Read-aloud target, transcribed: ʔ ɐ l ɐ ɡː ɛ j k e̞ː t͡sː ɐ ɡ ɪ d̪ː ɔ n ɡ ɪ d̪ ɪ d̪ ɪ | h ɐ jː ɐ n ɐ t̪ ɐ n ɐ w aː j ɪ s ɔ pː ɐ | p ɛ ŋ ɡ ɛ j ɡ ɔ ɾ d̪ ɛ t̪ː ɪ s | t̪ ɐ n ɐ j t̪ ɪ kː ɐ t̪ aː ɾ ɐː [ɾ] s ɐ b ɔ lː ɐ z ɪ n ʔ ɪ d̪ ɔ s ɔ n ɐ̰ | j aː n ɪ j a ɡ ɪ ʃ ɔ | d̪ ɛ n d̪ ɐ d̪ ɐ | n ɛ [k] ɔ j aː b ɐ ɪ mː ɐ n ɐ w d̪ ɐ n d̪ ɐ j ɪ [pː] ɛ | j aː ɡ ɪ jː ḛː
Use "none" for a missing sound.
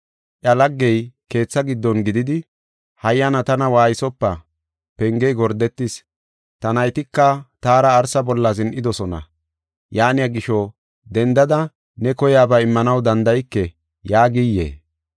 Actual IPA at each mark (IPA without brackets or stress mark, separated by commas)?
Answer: ɾ, k, kː